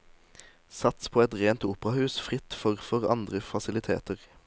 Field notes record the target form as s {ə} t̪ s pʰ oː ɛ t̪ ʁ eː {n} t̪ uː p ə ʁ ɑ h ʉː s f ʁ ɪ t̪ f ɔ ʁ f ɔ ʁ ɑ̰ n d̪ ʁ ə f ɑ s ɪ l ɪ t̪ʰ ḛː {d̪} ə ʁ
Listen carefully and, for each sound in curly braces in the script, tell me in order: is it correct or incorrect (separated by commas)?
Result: incorrect, correct, incorrect